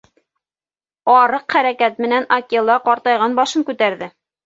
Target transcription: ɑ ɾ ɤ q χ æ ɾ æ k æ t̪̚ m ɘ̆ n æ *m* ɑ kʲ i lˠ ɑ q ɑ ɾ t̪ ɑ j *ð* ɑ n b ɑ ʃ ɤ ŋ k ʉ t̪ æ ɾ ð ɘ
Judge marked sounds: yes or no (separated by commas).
no, no